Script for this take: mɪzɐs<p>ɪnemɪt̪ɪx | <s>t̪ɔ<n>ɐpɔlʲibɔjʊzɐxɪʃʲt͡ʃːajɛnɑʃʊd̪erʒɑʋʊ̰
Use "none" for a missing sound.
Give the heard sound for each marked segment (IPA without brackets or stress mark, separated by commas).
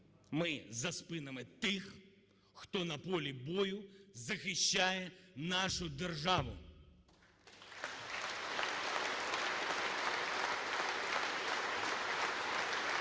p, x, n